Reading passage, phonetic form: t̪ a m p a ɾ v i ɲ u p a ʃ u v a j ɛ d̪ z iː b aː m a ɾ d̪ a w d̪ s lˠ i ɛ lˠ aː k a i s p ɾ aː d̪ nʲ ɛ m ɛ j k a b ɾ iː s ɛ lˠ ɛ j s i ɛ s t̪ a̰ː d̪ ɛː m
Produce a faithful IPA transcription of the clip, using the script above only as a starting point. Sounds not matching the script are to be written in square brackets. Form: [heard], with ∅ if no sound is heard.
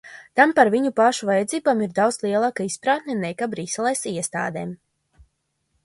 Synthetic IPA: t̪ a m p a ɾ v i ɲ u p a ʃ u v a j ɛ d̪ z iː b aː m [i] ɾ d̪ a w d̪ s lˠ i ɛ lˠ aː k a i s p ɾ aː [t̪] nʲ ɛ [n] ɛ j k a b ɾ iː s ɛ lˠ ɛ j s i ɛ s t̪ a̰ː d̪ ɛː m